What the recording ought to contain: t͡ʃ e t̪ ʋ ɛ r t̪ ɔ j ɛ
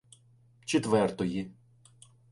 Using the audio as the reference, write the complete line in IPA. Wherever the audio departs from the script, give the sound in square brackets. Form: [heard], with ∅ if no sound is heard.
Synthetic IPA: t͡ʃ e t̪ ʋ ɛ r t̪ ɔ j [i]